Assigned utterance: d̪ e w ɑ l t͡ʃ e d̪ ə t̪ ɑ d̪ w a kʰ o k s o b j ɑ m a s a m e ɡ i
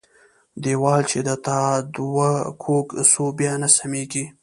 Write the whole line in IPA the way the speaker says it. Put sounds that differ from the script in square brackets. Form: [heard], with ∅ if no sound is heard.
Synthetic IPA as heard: d̪ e w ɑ l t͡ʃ e d̪ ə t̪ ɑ d̪ w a kʰ o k s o b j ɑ [n] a s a m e ɡ i